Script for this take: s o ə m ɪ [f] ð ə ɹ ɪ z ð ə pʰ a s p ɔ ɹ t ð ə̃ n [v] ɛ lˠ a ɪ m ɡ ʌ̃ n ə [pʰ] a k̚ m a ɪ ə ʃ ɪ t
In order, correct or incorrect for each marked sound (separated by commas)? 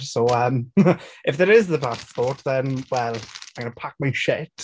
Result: correct, incorrect, correct